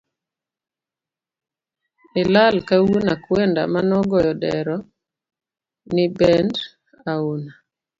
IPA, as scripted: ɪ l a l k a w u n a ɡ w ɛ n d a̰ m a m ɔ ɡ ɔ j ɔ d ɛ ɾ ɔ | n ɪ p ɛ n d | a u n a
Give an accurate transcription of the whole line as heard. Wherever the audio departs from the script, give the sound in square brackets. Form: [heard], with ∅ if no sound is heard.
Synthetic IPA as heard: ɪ l a l k a w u n a [k] w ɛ n d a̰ m a [n] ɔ ɡ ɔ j ɔ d ɛ ɾ ɔ | n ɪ [b] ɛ n d | a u n a

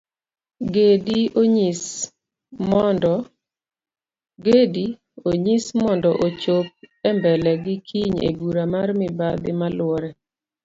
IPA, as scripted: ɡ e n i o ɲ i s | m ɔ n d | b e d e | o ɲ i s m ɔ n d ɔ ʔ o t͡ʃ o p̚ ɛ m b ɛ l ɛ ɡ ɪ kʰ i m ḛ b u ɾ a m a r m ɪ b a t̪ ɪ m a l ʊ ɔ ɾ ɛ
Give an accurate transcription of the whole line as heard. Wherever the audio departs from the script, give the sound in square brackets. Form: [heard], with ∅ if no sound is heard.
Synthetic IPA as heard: ɡ e [d] i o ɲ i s | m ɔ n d | [ɡ] e d [i] | o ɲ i s m ɔ n d ɔ ʔ o t͡ʃ o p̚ ɛ m b ɛ l ɛ ɡ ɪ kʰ i [ɲ] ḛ b u ɾ a m a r m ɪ b a [d̪] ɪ m a l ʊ ɔ ɾ ɛ

